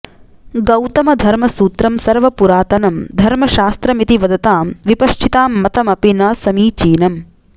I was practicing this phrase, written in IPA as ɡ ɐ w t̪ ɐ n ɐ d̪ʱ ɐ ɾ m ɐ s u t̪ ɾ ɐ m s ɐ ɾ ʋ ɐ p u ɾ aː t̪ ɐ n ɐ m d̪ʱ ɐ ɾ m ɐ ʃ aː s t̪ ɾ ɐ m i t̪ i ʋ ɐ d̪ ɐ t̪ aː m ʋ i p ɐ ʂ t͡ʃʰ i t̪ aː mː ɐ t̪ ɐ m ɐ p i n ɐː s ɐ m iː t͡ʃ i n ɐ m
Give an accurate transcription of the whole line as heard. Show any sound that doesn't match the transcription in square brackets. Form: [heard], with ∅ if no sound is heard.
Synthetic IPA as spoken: ɡ ɐ w t̪ ɐ [m] ɐ d̪ʱ ɐ ɾ m ɐ s [uː] t̪ ɾ ɐ m s ɐ ɾ ʋ ɐ p u ɾ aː t̪ ɐ n ɐ m d̪ʱ ɐ ɾ m ɐ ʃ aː s t̪ ɾ ɐ m i t̪ i ʋ ɐ d̪ ɐ t̪ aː m ʋ i p ɐ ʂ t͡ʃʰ i t̪ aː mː ɐ t̪ ɐ m ɐ p i n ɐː s ɐ m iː t͡ʃ [iː] n ɐ m